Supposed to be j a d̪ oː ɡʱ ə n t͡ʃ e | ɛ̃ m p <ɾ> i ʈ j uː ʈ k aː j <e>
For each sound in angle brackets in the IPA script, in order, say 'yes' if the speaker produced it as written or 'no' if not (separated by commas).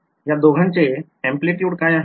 no, no